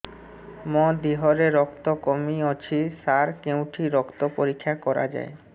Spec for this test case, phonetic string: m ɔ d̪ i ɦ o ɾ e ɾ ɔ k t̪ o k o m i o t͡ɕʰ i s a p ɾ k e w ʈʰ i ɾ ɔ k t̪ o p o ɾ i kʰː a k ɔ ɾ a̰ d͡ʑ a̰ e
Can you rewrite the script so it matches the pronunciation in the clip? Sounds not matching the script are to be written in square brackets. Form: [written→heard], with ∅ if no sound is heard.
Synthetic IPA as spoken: m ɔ d̪ i ɦ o ɾ e ɾ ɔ k t̪ o k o m i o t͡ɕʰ i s a [p→∅] ɾ k e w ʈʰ i ɾ ɔ k t̪ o p o ɾ i kʰː a k ɔ ɾ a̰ d͡ʑ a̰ e